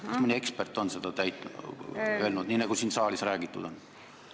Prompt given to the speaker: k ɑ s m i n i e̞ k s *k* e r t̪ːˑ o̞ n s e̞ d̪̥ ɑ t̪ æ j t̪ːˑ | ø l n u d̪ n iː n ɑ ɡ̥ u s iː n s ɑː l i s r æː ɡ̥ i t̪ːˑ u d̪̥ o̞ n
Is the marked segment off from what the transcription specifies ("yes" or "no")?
yes